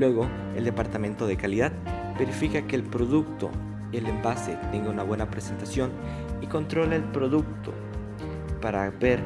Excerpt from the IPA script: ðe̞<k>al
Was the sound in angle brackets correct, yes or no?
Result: yes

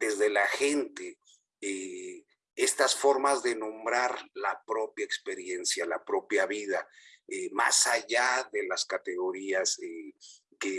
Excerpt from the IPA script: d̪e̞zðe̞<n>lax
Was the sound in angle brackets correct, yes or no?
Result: no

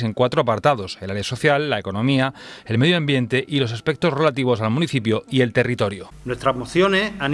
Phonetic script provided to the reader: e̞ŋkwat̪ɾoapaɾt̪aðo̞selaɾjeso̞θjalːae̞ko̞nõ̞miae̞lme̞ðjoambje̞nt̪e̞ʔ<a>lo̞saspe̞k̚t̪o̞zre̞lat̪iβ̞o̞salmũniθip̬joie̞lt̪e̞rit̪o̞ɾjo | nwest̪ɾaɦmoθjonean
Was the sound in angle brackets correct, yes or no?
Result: no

